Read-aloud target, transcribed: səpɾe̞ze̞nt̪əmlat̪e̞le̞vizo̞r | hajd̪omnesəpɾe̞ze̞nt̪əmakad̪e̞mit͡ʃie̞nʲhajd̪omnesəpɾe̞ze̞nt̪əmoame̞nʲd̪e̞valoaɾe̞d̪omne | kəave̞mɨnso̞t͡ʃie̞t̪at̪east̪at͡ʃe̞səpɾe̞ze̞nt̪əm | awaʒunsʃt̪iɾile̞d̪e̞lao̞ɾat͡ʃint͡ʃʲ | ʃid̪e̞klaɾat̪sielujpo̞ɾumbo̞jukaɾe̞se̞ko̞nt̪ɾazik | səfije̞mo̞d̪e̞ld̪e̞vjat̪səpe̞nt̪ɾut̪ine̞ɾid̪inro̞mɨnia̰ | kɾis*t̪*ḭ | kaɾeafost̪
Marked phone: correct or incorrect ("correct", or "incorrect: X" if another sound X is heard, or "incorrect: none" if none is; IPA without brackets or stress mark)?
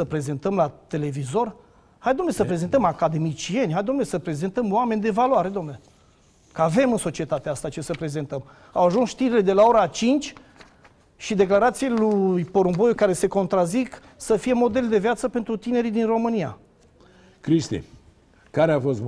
correct